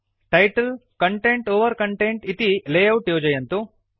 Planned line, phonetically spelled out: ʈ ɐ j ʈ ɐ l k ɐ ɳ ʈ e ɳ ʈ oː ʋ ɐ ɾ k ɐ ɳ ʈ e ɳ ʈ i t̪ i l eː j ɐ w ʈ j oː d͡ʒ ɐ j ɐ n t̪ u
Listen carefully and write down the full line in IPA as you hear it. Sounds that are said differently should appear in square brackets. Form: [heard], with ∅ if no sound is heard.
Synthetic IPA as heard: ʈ ɐ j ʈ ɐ l k ɐ ɳ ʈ e ɳ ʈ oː ʋ ɐ ɾ k ɐ ɳ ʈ e ɳ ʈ i t̪ i l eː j ɐ w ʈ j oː d͡ʒ ɐ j ɐ n t̪ u